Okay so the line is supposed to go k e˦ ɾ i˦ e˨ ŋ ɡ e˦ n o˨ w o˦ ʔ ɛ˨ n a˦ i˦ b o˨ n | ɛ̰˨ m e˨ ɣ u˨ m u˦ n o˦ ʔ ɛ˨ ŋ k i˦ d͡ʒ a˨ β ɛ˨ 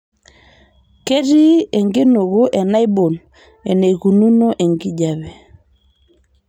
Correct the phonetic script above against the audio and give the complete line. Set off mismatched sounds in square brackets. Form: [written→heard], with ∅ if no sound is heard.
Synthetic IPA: k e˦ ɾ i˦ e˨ ŋ ɡ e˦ n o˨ [w→ɣ] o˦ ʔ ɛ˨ n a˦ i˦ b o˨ n | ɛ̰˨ [m→n] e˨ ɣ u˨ [m→n] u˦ n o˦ ʔ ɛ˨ ŋ [k→ɡ] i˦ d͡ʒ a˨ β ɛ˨